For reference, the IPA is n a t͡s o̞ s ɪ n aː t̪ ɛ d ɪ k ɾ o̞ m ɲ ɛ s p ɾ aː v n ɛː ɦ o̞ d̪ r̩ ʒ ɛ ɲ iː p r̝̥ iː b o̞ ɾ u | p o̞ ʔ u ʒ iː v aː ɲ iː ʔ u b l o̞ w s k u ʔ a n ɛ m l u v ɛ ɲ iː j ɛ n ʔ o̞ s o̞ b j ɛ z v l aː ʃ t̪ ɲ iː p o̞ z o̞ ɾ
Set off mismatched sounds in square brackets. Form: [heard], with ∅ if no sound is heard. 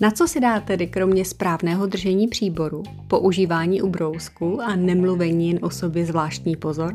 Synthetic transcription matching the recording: n a t͡s o̞ s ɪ [d] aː t̪ ɛ d ɪ k ɾ o̞ m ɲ ɛ s p ɾ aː v n ɛː ɦ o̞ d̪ r̩ ʒ ɛ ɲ iː p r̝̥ iː b o̞ ɾ u | p o̞ ʔ u ʒ iː v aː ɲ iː ʔ u b [ɾ] o̞ w s k u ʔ a n ɛ m l u v ɛ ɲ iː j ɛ n ʔ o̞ s o̞ b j ɛ z v l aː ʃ t̪ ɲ iː p o̞ z o̞ ɾ